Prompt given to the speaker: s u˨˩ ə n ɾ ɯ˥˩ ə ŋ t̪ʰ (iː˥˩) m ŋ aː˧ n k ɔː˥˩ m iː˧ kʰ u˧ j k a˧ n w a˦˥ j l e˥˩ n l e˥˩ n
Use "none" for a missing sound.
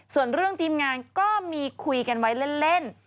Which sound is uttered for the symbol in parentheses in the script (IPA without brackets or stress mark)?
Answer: iː˧